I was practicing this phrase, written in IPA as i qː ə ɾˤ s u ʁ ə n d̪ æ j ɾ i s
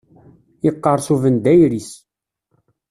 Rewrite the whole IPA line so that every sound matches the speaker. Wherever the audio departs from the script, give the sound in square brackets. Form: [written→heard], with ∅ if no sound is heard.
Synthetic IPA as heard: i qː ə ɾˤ s u [ʁ→v] ə n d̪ æ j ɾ i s